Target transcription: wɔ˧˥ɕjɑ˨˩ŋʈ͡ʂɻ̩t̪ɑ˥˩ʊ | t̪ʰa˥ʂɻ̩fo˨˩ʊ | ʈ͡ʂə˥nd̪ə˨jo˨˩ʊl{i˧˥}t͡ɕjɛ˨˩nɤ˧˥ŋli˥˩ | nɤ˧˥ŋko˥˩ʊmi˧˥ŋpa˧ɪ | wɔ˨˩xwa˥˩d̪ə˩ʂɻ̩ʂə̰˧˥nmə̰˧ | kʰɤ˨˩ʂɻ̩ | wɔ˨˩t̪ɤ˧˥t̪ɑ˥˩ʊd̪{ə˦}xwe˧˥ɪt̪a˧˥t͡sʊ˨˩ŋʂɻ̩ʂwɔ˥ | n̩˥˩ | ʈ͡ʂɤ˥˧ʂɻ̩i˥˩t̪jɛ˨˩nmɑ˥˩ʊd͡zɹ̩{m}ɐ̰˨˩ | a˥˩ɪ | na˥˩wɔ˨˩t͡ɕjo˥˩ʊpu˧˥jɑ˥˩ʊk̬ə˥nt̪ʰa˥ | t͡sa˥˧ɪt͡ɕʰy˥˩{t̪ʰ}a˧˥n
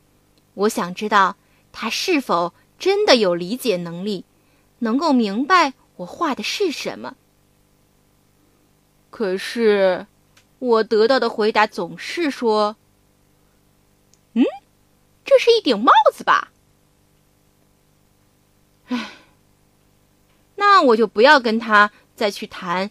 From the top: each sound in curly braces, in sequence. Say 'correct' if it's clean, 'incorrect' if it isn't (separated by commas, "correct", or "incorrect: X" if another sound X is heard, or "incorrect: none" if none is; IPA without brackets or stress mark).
correct, incorrect: ə˩, incorrect: b, correct